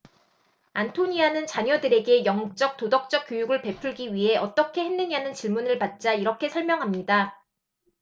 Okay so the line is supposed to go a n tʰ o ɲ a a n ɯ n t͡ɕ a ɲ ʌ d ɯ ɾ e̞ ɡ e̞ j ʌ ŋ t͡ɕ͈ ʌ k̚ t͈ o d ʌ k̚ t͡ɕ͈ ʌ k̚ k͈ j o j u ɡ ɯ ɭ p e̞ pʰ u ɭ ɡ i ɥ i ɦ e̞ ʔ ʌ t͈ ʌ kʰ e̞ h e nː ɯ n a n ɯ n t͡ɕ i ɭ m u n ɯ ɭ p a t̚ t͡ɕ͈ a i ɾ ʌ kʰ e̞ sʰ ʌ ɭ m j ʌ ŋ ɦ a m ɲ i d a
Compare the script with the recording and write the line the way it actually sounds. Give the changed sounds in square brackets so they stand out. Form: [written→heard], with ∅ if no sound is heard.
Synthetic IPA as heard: a n tʰ o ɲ [a→i] a n ɯ n t͡ɕ a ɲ ʌ d ɯ ɾ e̞ ɡ e̞ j ʌ ŋ t͡ɕ͈ ʌ k̚ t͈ o d ʌ k̚ t͡ɕ͈ ʌ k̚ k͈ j o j u ɡ ɯ ɭ p e̞ pʰ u ɭ ɡ i ɥ i ɦ e̞ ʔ ʌ t͈ ʌ kʰ e̞ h e nː ɯ [n→ɲ] a n ɯ n t͡ɕ i ɭ m u n ɯ ɭ p a t̚ t͡ɕ͈ a i ɾ ʌ kʰ e̞ sʰ ʌ ɭ m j ʌ ŋ ɦ a m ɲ i d a